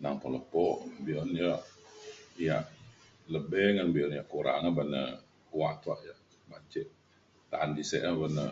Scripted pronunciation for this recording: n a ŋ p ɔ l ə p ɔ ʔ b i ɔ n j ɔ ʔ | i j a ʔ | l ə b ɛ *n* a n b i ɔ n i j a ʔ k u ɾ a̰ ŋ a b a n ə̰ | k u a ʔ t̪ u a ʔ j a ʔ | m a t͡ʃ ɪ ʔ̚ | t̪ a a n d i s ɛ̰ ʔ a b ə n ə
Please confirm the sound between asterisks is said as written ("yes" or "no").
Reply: no